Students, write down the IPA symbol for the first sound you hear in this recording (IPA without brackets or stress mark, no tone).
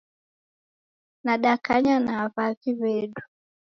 n